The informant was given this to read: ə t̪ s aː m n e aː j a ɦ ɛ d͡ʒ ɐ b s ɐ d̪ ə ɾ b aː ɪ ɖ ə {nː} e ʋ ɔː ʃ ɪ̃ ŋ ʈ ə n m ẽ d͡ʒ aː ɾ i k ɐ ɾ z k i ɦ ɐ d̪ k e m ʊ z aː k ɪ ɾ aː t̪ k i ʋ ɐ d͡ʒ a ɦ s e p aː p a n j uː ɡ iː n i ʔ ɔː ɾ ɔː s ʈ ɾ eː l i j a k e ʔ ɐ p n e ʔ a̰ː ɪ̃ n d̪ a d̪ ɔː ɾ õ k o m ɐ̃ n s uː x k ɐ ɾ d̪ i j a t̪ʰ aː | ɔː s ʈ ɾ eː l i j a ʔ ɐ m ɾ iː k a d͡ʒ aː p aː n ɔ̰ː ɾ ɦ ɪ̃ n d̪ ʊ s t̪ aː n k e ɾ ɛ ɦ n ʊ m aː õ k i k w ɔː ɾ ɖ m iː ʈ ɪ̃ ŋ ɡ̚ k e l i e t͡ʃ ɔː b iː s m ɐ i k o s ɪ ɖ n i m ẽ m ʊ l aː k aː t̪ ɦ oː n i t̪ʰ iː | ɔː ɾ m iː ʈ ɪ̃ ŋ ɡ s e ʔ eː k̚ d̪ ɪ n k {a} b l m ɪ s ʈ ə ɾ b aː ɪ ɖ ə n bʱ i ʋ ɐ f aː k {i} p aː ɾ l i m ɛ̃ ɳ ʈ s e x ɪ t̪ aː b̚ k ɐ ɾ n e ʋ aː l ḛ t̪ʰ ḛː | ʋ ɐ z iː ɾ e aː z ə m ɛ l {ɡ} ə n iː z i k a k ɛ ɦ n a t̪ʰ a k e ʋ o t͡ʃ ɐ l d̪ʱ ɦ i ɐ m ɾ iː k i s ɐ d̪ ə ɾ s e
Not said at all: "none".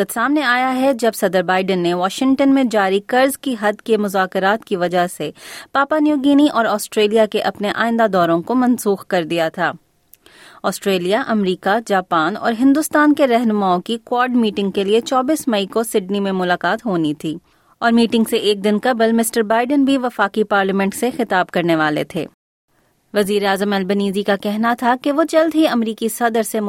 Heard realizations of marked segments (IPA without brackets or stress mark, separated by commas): nː, ɐ, i, b